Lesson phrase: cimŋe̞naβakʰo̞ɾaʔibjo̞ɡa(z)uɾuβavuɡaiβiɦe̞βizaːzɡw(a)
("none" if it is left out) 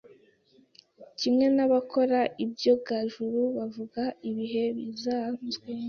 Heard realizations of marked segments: ʒ, e

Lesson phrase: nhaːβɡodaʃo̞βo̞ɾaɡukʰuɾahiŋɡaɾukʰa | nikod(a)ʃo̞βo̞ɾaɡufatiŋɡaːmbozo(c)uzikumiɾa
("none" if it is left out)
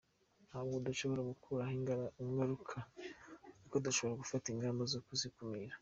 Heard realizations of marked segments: a, k

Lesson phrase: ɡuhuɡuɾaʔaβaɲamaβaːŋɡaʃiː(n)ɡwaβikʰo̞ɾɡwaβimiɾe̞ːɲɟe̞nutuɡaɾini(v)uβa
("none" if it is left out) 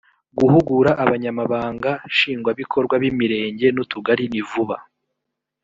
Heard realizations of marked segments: ŋ, v

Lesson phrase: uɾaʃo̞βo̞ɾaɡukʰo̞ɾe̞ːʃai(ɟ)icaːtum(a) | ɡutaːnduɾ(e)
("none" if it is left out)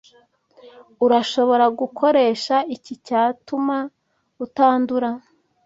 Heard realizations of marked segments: c, a, a

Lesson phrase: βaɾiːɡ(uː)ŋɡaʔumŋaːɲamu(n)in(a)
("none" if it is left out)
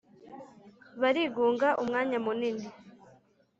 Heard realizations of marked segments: uː, n, i

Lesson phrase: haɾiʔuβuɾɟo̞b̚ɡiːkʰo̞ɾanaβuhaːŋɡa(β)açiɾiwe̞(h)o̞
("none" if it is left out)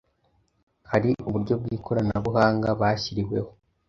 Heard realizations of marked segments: β, h

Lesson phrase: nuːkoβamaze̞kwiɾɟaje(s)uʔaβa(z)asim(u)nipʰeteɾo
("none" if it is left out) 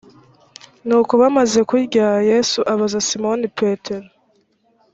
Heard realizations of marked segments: s, z, o

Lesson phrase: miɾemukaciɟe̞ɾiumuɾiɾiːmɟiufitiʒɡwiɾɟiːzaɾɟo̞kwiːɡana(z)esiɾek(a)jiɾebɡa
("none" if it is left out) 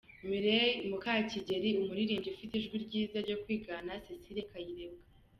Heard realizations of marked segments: s, a

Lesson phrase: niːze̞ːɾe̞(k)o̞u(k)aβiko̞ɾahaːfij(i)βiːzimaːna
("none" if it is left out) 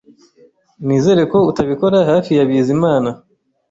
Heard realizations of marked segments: k, t, a

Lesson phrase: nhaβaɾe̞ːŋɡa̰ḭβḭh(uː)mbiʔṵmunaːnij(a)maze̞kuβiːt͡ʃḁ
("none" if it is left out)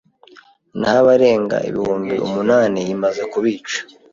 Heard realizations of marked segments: uː, i

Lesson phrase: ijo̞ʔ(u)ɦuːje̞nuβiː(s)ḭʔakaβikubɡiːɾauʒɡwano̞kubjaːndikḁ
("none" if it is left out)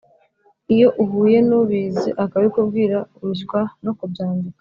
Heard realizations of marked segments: u, z

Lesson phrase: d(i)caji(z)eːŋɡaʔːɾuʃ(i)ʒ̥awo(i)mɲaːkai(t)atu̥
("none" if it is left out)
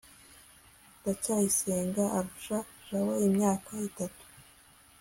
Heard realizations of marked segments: a, s, a, i, t

